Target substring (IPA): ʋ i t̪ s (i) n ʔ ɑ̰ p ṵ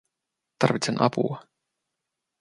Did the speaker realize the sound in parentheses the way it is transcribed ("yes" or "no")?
no